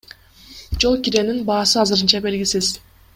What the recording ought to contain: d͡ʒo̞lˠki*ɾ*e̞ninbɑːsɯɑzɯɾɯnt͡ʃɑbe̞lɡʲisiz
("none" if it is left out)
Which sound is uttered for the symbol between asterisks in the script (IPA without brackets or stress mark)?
ɾ